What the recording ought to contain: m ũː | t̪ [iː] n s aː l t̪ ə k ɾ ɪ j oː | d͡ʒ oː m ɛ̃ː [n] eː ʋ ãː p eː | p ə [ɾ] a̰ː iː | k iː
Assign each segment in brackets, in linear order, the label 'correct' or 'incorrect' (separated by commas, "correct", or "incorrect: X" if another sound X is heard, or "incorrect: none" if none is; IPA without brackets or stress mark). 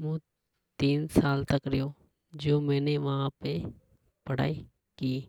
correct, correct, incorrect: ɽ